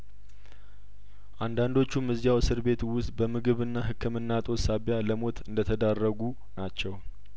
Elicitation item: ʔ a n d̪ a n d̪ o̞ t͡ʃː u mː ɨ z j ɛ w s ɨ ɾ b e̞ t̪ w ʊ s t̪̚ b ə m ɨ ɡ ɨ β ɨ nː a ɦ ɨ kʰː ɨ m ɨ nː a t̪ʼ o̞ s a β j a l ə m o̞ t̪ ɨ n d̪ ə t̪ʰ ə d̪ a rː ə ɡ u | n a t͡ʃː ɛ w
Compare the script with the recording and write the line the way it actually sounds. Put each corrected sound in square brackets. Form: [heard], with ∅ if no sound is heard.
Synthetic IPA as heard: ʔ a n d̪ a n d̪ o̞ t͡ʃː u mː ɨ z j [a] w s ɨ ɾ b e̞ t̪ w ʊ s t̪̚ b ə m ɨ ɡ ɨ β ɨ nː a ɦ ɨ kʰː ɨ m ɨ nː a t̪ʼ o̞ s a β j a l ə m o̞ t̪ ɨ n d̪ ə t̪ʰ ə d̪ a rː ə ɡ u | n a t͡ʃː ɛ w